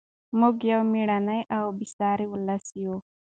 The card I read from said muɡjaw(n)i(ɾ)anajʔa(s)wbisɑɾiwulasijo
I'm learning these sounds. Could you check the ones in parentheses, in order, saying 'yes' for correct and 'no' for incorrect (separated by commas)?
no, no, no